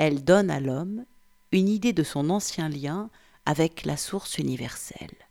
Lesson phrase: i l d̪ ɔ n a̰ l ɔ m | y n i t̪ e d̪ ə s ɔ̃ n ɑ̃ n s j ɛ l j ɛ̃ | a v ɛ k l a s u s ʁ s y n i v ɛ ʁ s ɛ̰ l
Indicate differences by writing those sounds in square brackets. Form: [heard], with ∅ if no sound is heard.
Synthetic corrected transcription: [ɛ] l d̪ ɔ n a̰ l ɔ m | y n i [d̪] e d̪ ə s ɔ̃ n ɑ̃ [∅] s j [ɛ̃] l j ɛ̃ | a v ɛ k l a s u [∅] ʁ s y n i v ɛ ʁ s ɛ̰ l